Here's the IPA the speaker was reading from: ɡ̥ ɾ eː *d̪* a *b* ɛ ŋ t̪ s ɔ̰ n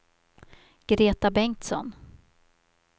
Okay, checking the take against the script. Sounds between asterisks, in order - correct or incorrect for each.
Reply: incorrect: t̪, correct

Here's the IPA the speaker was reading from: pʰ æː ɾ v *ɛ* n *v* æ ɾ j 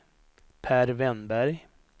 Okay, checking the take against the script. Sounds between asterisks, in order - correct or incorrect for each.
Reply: correct, incorrect: b

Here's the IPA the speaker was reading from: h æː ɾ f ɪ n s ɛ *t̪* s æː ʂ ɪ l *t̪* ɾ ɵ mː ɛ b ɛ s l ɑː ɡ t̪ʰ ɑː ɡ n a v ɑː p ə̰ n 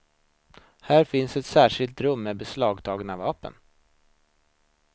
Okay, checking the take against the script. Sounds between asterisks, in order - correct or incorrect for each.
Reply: correct, correct

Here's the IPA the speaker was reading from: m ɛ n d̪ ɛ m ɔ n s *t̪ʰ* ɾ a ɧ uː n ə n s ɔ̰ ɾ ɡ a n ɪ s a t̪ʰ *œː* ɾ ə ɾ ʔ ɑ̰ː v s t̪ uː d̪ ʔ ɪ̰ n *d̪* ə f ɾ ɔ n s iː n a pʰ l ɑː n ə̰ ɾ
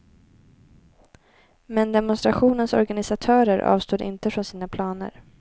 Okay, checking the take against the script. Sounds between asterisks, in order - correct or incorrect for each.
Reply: incorrect: t̪, correct, incorrect: t̪

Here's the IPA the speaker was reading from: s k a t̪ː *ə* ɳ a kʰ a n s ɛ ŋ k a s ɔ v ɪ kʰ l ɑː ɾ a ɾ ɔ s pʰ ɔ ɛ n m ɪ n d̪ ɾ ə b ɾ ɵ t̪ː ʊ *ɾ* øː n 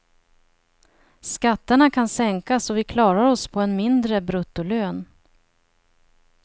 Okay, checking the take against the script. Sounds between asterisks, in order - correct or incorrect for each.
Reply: correct, incorrect: l

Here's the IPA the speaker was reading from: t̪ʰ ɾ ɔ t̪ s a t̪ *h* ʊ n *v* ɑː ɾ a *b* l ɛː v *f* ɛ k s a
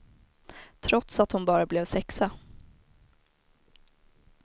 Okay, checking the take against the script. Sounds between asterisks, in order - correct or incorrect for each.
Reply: correct, incorrect: b, correct, incorrect: s

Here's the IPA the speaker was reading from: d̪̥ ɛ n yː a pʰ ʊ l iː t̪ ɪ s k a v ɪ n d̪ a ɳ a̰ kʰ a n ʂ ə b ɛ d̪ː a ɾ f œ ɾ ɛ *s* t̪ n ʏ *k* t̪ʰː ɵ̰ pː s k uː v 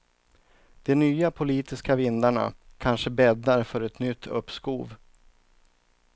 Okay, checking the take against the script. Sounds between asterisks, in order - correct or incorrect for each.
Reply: incorrect: none, incorrect: none

